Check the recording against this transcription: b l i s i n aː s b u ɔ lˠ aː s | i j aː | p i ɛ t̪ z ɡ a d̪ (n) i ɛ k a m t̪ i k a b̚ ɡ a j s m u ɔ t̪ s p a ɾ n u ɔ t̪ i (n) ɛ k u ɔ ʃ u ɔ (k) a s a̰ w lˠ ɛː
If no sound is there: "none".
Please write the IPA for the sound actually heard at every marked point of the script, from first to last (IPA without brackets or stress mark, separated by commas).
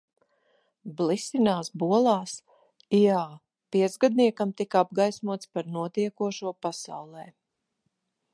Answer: n, none, p